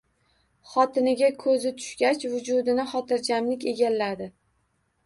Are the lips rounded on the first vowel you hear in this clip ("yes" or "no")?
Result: yes